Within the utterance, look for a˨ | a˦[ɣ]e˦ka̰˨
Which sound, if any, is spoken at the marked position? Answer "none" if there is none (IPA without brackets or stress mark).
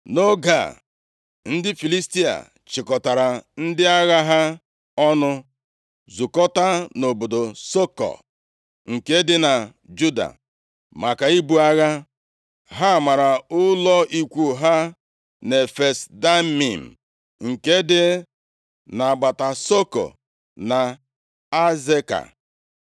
z